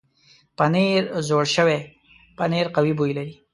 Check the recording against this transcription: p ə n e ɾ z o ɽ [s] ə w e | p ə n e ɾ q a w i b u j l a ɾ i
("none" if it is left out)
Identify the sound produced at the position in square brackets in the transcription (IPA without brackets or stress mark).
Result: ʃ